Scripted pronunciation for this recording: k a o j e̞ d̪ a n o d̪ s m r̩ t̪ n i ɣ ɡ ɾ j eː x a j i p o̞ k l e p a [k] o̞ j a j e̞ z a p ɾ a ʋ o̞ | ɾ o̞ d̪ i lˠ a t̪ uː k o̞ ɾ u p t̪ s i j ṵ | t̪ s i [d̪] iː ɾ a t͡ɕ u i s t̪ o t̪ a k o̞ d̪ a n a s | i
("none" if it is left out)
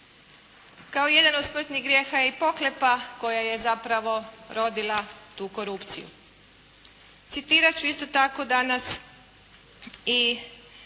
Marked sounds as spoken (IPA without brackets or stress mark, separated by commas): k, t̪